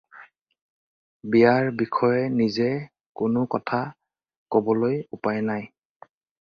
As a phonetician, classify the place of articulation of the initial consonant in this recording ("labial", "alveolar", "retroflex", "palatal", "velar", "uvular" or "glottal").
labial